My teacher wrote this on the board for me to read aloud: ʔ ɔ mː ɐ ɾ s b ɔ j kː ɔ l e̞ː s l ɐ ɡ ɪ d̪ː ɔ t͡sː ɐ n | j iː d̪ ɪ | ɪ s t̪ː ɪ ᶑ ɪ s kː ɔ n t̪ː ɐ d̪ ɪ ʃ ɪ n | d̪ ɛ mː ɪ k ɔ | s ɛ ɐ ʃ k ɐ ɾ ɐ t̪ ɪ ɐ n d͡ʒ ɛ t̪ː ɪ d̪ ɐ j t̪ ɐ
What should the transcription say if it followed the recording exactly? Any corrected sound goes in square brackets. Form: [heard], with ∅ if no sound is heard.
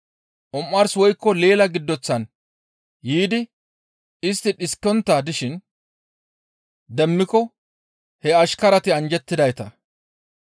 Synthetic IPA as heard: ʔ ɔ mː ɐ ɾ s [w] ɔ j kː ɔ l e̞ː [∅] l ɐ ɡ ɪ d̪ː ɔ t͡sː ɐ n | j iː d̪ ɪ | ɪ s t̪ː ɪ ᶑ ɪ s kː ɔ n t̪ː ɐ d̪ ɪ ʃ ɪ n | d̪ ɛ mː ɪ k ɔ | [h] ɛ ɐ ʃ k ɐ ɾ ɐ t̪ ɪ ɐ n d͡ʒ ɛ t̪ː ɪ d̪ ɐ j t̪ ɐ